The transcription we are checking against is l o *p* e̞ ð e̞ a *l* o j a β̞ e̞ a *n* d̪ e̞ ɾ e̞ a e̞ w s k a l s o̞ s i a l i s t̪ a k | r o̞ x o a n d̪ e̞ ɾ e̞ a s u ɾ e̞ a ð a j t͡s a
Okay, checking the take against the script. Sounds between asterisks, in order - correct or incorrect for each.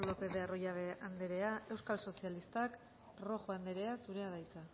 correct, incorrect, correct

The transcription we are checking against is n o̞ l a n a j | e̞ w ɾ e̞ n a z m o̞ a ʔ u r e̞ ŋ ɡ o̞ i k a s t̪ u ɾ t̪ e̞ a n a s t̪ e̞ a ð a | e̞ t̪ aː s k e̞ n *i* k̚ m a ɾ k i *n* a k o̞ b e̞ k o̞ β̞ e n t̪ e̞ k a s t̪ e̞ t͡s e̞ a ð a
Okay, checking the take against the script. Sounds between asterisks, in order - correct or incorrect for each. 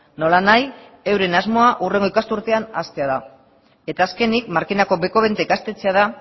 correct, correct

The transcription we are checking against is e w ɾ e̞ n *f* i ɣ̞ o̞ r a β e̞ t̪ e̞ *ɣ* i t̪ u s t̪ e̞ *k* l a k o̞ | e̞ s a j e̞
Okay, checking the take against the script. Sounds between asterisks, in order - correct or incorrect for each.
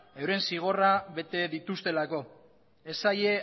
incorrect, incorrect, incorrect

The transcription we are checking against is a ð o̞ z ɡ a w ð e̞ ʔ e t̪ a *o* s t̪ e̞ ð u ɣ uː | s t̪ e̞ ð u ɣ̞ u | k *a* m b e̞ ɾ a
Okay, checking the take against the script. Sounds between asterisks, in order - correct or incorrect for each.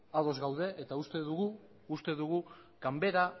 incorrect, correct

